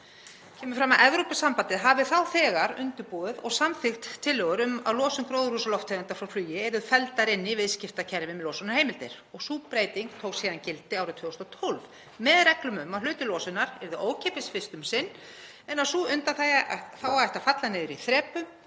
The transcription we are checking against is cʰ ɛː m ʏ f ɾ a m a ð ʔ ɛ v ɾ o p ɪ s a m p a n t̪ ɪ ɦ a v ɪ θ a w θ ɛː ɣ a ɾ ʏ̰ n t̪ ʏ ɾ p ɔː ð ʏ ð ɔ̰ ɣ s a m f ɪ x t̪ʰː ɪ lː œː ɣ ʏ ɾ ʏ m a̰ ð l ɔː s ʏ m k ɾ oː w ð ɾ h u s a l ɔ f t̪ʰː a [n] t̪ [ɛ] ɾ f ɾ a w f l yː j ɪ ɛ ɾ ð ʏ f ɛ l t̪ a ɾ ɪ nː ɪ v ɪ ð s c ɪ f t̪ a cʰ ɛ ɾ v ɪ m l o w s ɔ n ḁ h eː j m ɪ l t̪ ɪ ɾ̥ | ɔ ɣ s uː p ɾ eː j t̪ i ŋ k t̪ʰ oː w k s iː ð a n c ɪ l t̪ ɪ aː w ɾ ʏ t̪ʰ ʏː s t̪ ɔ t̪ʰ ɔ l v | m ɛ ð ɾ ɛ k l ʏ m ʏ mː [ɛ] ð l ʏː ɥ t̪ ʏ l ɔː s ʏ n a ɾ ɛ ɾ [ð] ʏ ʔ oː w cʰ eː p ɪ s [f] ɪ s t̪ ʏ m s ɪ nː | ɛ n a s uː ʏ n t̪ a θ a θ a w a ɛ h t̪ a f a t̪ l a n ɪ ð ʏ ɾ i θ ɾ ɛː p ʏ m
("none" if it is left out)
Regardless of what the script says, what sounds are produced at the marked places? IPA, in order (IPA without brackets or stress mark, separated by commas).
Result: n, a, a, ð, f